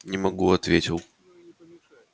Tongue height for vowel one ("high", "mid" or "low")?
high